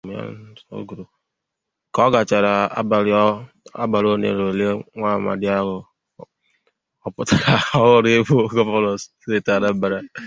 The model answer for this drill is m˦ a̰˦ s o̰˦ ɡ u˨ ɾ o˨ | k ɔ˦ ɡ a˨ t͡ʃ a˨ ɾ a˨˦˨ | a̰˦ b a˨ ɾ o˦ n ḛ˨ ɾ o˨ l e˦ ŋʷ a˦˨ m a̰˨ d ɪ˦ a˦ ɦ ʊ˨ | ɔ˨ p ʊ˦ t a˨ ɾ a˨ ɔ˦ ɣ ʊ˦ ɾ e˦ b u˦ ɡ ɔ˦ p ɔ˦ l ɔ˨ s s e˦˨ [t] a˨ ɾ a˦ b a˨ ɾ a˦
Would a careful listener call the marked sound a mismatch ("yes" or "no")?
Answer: no